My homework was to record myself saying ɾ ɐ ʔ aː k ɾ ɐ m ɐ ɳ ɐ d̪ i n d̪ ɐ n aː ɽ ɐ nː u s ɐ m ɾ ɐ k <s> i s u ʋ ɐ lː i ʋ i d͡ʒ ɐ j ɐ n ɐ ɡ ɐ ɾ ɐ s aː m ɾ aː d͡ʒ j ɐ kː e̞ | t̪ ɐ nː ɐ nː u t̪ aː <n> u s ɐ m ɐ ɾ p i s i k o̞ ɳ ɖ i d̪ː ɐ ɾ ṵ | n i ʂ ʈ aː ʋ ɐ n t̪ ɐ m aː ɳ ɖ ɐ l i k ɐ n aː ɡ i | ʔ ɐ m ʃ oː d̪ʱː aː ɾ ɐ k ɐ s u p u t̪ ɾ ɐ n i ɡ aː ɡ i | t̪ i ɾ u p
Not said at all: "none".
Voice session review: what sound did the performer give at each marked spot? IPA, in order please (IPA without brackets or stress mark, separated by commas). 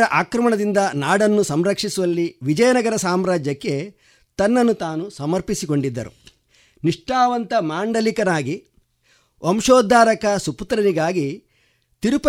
ʂ, n